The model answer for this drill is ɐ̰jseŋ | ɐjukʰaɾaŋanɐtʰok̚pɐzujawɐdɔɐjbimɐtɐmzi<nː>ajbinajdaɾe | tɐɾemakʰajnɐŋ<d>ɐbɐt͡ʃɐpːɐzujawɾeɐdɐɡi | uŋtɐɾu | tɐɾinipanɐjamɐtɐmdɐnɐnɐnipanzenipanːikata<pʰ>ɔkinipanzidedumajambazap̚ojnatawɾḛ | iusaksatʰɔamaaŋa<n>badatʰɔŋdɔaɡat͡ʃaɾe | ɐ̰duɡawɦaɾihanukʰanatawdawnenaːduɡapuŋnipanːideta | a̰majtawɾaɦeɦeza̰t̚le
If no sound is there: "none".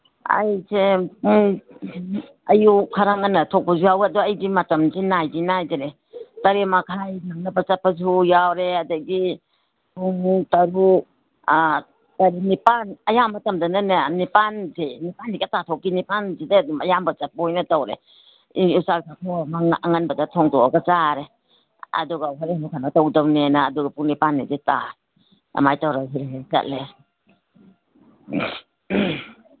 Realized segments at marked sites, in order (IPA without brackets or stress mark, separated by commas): n, n, tʰ, n